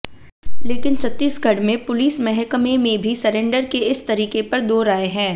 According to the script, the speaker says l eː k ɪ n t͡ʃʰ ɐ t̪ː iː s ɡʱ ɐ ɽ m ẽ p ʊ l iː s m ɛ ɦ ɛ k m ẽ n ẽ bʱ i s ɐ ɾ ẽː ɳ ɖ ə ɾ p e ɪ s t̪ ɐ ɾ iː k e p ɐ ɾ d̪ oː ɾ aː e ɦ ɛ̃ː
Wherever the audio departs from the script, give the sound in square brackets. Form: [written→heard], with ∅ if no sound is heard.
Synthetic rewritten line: l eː k ɪ n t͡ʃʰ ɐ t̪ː iː s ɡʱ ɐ ɽ m ẽ p ʊ l iː s m ɛ ɦ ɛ k m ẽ [n→m] ẽ bʱ i s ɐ ɾ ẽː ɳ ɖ ə ɾ [p→k] e ɪ s t̪ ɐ ɾ iː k e p ɐ ɾ d̪ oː ɾ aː e ɦ ɛ̃ː

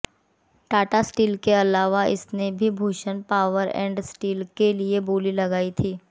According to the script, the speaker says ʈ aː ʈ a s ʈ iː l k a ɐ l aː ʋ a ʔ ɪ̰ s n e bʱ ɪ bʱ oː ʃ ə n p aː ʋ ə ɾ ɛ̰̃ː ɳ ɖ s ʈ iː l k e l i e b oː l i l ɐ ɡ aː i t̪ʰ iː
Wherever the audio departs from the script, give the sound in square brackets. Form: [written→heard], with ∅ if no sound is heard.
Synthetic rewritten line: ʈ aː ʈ a s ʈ iː l k [a→e] ɐ l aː ʋ a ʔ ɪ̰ s n e bʱ [ɪ→i] bʱ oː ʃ ə n p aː ʋ ə ɾ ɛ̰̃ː ɳ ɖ s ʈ iː l k e l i e b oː l i l ɐ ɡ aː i t̪ʰ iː

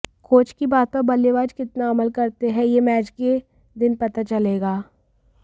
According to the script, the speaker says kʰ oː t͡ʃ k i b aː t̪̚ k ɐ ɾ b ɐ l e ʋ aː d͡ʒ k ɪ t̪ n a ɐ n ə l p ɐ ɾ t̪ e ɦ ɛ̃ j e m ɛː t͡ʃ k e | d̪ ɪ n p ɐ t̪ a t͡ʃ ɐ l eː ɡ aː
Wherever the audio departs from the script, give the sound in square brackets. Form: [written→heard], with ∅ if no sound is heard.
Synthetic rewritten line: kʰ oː t͡ʃ k i b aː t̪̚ [k→p] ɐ ɾ b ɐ l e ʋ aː d͡ʒ k ɪ t̪ n a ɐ [n→m] ə l [p→k] ɐ ɾ t̪ e ɦ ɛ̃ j e m ɛː t͡ʃ k e | d̪ ɪ n p ɐ t̪ a t͡ʃ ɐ l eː ɡ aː

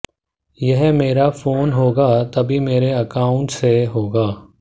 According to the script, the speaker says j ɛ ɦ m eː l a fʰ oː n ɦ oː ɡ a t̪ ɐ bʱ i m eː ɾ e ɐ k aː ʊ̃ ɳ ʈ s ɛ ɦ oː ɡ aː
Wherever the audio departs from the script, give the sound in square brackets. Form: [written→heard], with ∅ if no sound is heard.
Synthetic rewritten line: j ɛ ɦ m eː [l→ɾ] a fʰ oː n ɦ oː ɡ a t̪ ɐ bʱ i m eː ɾ e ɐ k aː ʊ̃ ɳ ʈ s [ɛ→e] ɦ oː ɡ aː

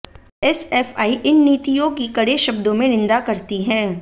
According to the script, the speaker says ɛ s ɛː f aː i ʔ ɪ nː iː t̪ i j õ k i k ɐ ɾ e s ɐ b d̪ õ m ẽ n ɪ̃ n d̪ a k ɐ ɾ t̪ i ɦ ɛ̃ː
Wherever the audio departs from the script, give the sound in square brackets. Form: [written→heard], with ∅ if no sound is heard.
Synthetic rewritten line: ɛ s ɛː f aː i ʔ ɪ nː iː t̪ i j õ k i k ɐ [ɾ→ɽ] e [s→ʃ] ɐ b d̪ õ m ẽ n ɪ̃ n d̪ a k ɐ ɾ t̪ i ɦ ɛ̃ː

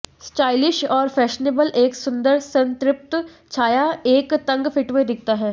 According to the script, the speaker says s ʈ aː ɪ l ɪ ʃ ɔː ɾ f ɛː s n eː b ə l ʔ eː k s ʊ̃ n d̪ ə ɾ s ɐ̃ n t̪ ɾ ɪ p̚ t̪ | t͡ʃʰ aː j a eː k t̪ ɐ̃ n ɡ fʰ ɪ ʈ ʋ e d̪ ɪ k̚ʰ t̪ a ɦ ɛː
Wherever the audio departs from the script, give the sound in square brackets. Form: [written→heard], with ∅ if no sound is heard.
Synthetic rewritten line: s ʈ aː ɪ l ɪ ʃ ɔː ɾ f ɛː [s→ʃ] n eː b ə l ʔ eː k s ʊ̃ n d̪ ə ɾ s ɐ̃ n t̪ ɾ ɪ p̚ t̪ | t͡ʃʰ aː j a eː k t̪ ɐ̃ [n→ŋ] ɡ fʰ ɪ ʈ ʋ e d̪ ɪ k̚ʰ t̪ a ɦ ɛː

